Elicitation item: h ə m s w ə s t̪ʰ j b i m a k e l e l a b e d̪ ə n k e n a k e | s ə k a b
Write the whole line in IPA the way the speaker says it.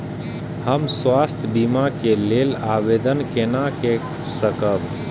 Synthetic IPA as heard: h ə m s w a s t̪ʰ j b i m a k e l e l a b e d̪ ə n k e n a k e | s ə k ə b